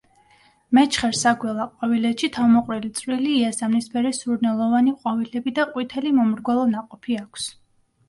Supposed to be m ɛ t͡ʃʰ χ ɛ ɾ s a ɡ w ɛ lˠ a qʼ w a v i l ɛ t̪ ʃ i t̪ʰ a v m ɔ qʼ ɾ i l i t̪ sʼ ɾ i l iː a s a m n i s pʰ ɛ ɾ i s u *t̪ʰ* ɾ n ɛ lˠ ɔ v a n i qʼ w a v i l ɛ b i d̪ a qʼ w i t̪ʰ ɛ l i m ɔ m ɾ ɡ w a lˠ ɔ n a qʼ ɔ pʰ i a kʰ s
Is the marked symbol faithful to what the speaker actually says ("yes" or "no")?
no